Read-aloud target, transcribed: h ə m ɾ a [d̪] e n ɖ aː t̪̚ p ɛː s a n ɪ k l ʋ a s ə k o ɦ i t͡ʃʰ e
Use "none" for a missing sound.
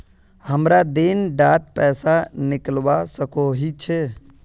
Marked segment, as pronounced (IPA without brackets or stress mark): d̪